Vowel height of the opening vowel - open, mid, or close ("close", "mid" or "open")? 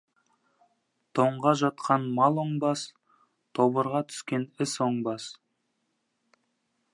mid